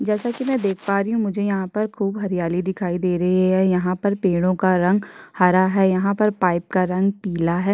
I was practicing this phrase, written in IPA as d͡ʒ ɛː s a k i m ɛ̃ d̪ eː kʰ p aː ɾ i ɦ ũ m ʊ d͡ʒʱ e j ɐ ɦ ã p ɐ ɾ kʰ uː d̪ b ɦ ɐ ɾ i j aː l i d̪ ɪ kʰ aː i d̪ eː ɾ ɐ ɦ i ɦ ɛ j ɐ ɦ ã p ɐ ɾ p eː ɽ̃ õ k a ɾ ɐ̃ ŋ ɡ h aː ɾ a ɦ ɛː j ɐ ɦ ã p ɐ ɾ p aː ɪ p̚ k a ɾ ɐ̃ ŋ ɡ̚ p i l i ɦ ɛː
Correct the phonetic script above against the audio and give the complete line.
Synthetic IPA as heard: d͡ʒ ɛː s a k i m ɛ̃ d̪ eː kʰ p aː ɾ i ɦ ũ m ʊ d͡ʒʱ e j ɐ ɦ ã p ɐ ɾ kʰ uː b ɦ ɐ ɾ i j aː l i d̪ ɪ kʰ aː i d̪ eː ɾ ɐ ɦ i ɦ ɛ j ɐ ɦ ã p ɐ ɾ p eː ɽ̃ õ k a ɾ ɐ̃ ŋ ɡ h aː ɾ a ɦ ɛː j ɐ ɦ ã p ɐ ɾ p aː ɪ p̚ k a ɾ ɐ̃ ŋ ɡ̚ p iː l a ɦ ɛː